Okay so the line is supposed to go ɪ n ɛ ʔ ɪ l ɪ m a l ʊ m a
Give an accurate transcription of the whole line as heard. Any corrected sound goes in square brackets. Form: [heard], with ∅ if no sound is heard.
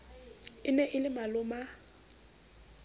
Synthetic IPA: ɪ n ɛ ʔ ɪ l ɪ m a l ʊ m a